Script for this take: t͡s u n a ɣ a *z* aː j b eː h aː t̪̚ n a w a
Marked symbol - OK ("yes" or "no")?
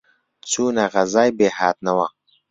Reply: yes